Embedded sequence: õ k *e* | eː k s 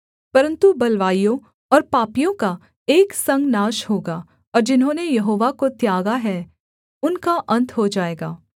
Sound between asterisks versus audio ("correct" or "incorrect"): incorrect